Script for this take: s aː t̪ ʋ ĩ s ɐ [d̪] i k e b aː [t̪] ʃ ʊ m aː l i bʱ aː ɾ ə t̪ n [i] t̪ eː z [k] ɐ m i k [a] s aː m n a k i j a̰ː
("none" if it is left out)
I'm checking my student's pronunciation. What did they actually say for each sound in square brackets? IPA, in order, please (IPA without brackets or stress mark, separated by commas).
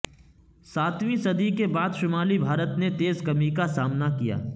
d̪, d̪, e, k, a